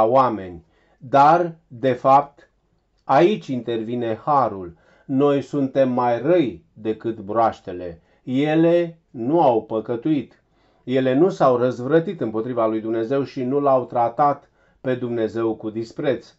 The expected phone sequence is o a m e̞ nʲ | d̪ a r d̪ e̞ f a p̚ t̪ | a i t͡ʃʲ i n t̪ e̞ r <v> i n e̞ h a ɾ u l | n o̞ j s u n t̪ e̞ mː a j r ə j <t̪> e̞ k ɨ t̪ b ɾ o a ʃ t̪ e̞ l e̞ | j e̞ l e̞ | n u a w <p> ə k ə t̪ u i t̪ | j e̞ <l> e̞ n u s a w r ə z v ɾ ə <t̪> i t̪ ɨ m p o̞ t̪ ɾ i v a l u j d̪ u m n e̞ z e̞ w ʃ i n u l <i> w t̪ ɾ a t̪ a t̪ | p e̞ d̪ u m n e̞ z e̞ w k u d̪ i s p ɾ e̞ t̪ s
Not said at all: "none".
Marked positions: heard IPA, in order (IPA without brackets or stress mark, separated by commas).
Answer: v, d̪, p, l, t̪, a